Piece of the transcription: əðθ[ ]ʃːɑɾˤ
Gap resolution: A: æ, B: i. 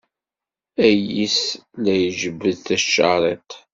A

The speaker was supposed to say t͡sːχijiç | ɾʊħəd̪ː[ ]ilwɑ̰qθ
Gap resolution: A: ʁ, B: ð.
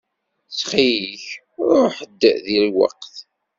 B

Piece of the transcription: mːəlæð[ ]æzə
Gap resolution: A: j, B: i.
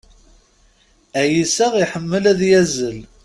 A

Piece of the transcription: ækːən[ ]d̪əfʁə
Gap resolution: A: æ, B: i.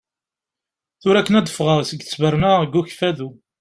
A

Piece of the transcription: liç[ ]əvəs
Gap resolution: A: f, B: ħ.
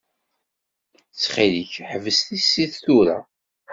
B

